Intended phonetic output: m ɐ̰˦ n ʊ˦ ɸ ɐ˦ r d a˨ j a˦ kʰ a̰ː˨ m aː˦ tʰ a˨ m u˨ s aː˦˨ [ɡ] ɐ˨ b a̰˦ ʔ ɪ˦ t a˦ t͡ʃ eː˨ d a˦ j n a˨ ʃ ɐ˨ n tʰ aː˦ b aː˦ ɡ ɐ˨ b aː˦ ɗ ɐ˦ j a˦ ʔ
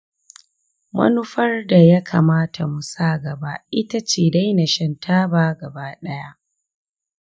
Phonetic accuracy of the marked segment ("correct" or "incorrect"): correct